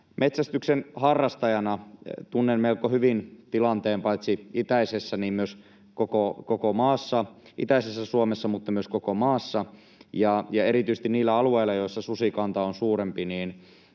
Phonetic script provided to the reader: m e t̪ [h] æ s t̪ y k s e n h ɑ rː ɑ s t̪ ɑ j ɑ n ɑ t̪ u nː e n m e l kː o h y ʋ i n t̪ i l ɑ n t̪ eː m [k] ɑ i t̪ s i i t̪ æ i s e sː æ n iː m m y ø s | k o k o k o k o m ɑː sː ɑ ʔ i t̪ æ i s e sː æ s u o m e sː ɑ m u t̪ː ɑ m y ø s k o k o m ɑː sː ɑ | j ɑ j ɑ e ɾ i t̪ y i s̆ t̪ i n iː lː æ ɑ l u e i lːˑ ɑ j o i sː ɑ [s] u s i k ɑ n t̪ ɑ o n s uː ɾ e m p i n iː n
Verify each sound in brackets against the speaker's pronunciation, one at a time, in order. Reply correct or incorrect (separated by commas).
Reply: incorrect, incorrect, correct